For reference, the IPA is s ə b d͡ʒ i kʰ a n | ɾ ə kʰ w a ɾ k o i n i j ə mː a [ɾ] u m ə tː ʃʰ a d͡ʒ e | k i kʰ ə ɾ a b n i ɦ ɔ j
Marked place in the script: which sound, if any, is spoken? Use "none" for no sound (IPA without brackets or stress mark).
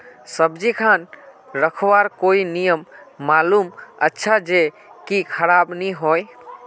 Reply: l